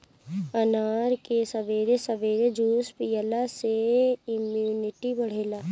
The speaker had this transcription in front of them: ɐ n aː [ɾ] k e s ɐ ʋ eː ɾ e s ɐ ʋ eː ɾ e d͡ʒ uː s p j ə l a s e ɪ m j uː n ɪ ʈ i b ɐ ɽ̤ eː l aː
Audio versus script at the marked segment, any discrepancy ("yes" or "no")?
no